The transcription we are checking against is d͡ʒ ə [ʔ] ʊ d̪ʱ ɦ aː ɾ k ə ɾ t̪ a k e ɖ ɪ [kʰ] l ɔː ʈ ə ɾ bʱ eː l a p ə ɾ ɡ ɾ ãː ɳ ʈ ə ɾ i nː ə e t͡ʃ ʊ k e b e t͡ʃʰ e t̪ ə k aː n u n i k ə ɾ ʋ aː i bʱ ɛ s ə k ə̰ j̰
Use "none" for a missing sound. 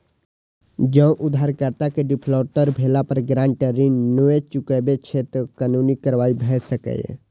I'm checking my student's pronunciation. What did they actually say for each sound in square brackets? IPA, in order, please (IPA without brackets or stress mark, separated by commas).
ʔ, pʰ